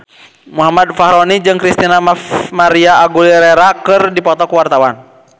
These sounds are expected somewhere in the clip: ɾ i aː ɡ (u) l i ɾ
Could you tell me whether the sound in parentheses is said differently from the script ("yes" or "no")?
no